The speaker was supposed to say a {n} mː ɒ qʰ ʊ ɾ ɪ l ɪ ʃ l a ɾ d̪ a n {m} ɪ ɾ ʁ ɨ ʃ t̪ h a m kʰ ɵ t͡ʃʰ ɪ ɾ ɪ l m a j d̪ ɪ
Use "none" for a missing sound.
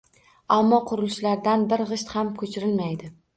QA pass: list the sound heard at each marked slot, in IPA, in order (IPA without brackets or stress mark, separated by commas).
none, b